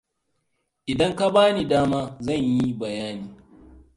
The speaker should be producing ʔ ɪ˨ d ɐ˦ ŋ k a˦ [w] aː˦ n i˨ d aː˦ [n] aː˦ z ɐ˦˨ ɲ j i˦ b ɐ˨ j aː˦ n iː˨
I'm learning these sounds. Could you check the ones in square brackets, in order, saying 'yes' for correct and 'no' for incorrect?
no, no

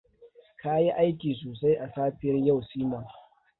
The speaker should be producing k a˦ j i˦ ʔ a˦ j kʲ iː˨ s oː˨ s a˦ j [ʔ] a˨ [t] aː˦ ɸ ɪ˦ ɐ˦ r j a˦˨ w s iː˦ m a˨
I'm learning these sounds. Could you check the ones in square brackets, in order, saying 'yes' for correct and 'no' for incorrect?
yes, no

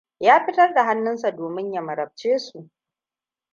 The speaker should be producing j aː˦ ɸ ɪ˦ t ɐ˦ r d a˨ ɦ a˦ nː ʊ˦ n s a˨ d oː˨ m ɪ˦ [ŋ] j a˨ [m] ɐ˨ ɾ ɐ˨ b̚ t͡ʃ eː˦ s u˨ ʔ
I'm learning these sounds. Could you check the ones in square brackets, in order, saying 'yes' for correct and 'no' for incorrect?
no, yes

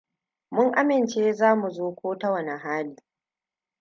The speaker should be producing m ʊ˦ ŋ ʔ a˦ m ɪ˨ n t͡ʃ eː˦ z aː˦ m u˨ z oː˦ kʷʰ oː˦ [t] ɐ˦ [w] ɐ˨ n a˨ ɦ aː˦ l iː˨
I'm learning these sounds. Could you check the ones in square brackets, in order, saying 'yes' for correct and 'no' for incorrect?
yes, yes

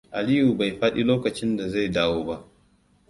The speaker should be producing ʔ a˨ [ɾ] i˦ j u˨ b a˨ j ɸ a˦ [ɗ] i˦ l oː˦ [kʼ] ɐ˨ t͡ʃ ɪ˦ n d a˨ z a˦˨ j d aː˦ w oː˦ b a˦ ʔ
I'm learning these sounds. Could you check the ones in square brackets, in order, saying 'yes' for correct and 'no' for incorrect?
no, yes, no

